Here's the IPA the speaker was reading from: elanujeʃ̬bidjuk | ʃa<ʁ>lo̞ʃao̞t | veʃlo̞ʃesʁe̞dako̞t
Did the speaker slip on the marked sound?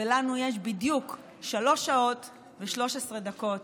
yes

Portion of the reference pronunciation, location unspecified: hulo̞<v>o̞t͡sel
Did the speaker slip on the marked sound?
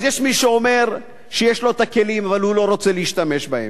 yes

